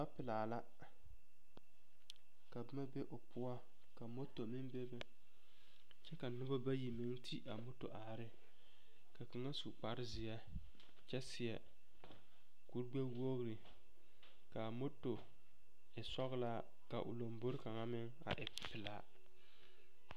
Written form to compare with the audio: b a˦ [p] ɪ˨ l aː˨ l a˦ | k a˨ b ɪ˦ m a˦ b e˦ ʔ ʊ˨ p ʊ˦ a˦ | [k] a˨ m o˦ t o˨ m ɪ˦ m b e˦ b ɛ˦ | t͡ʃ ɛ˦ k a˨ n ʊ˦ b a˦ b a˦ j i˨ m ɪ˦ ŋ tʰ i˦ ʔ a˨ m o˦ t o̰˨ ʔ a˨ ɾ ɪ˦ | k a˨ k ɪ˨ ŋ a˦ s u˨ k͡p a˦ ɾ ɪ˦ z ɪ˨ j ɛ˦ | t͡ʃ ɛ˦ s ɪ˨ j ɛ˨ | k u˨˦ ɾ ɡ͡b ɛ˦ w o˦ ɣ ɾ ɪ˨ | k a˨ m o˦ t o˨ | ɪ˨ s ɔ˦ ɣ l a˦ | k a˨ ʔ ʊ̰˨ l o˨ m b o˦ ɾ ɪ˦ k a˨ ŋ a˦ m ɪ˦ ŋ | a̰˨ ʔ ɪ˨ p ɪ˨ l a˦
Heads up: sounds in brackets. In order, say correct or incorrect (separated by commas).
correct, correct